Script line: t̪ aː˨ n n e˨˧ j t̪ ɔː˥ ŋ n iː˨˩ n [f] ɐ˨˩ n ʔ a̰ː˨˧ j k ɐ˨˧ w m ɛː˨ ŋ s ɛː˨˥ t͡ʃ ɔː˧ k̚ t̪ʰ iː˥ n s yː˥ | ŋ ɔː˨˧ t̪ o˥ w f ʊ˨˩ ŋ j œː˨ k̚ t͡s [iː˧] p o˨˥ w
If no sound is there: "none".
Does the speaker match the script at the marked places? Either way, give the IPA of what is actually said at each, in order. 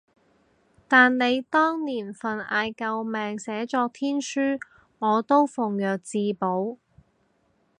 f, iː˧

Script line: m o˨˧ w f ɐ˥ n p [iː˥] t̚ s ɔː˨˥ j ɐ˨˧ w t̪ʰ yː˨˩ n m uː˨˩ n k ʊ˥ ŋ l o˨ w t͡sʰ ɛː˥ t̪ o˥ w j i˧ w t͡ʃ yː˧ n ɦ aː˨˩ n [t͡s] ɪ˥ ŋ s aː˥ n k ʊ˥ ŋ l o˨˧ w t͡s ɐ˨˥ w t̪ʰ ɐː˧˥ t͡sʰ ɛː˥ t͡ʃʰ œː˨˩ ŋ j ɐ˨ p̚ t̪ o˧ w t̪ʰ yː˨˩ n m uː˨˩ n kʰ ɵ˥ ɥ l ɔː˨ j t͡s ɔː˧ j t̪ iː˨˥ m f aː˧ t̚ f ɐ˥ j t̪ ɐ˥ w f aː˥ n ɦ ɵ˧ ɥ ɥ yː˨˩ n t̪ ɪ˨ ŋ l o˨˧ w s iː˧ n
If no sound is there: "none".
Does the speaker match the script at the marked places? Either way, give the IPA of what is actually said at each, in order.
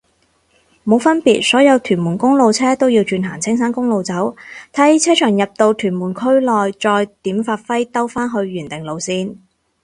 iː˨, t͡sʰ

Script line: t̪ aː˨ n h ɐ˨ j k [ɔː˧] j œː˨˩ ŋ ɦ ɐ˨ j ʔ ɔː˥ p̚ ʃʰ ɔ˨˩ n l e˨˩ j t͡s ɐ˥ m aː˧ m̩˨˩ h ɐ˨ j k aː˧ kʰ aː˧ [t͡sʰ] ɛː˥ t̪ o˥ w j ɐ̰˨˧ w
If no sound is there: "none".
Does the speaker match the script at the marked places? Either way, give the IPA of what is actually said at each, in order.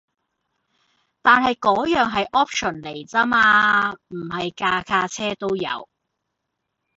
ɔː˨˥, t͡sʰ

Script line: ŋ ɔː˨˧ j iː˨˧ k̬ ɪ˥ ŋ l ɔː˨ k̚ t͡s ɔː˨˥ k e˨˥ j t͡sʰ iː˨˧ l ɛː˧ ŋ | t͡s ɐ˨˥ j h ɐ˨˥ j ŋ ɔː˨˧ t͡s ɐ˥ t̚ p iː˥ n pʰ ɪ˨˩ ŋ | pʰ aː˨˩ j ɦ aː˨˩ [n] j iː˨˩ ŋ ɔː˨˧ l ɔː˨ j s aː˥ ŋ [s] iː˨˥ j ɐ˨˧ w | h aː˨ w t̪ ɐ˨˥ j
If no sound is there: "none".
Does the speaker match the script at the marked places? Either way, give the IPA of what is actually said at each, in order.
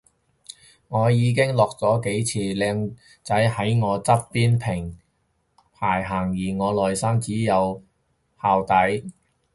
ŋ, t͡s

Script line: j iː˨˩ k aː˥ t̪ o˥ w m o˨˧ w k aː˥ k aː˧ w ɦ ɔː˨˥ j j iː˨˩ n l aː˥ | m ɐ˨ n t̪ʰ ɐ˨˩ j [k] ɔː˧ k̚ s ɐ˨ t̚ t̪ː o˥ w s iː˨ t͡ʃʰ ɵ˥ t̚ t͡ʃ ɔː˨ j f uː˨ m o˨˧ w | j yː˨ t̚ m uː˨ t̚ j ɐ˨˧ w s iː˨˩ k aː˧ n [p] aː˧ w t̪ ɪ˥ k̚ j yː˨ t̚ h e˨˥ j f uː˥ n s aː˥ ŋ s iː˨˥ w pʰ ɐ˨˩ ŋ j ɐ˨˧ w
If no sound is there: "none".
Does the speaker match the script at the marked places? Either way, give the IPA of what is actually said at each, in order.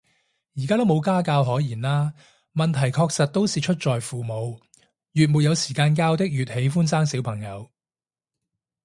kʰ, k

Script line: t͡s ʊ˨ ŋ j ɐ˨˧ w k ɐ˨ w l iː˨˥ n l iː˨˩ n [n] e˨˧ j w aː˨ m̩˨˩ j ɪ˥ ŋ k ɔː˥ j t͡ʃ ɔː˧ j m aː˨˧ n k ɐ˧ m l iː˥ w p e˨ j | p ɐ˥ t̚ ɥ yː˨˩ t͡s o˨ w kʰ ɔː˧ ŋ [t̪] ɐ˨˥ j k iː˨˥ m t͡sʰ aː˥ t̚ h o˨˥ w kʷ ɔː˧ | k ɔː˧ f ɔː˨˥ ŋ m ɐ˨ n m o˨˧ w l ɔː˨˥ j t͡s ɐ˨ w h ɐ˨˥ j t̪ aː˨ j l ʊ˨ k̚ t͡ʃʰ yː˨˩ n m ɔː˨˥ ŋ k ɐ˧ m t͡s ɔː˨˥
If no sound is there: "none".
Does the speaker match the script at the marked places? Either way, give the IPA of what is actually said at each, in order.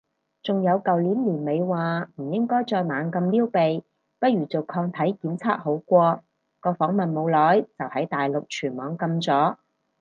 m, t̪ʰ

